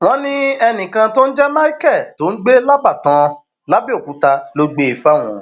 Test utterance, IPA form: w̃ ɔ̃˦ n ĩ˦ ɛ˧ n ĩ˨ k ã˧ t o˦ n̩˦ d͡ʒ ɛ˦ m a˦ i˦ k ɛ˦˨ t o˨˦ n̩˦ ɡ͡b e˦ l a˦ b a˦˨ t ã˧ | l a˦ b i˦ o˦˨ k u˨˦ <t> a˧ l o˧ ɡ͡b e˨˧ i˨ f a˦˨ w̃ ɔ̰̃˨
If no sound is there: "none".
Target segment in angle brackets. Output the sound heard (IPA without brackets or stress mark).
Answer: t